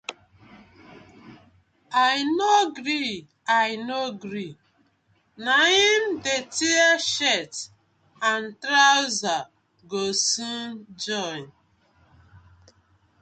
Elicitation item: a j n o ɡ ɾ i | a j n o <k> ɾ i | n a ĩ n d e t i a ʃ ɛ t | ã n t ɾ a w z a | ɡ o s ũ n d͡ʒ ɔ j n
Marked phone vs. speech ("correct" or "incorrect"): incorrect